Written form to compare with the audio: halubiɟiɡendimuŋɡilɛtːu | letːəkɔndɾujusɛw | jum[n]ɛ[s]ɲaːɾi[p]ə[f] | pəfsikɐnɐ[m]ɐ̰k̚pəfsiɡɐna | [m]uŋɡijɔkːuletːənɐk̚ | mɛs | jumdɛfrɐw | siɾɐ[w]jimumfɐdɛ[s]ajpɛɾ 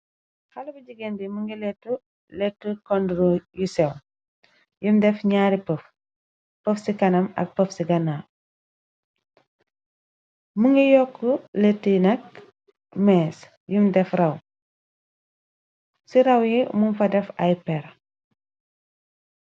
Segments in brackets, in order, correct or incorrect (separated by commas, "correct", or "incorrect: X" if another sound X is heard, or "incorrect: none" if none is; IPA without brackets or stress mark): incorrect: d, incorrect: f, correct, correct, correct, correct, correct, incorrect: f